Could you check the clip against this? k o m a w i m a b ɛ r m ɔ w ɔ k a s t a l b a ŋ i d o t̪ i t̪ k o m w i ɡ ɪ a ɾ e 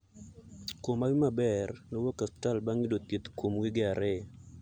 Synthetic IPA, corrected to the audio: k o m a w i m a b ɛ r n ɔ w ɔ k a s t a l b a ŋ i d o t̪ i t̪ k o m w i ɡ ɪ a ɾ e

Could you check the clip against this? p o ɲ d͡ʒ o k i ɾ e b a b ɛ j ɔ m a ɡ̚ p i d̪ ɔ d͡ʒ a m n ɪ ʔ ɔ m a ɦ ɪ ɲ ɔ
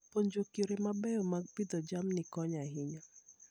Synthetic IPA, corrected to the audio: p o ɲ d͡ʒ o k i ɾ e m a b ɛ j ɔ m a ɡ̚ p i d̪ ɔ d͡ʒ a m n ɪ k ɔ ɲ a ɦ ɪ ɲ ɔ

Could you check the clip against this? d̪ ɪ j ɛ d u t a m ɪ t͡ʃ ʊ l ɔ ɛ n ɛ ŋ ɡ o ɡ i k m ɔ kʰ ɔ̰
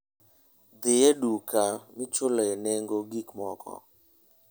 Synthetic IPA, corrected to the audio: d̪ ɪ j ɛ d u k a m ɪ t͡ʃ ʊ l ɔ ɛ n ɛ ŋ ɡ o ɡ i k m ɔ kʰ ɔ̰

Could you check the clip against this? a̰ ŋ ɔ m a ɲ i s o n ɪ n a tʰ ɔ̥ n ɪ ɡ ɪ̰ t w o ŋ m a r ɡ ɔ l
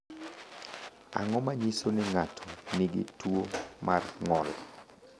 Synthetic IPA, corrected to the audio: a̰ ŋ ɔ m a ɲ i s o n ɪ ŋ a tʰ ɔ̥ n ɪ ɡ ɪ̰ t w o m a r ŋ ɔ l

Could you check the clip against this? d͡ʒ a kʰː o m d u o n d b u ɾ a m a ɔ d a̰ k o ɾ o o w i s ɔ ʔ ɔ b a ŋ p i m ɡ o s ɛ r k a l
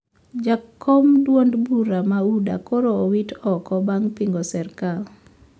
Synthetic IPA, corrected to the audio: d͡ʒ a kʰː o m d w o n d b u ɾ a m a u d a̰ k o ɾ o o w i t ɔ k ɔ b a ŋ p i ŋ ɡ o s ɛ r k a l

